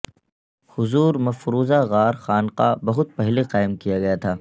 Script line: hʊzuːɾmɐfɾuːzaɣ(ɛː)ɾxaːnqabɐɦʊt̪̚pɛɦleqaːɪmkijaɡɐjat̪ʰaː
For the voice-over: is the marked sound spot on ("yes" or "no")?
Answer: no